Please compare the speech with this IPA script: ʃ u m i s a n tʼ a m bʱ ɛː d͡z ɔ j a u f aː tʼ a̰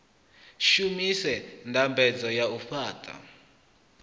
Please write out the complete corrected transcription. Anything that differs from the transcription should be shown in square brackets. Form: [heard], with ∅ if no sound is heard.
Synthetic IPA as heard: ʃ u m i s [ɛ] n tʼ a m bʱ [ɛ] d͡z ɔ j a u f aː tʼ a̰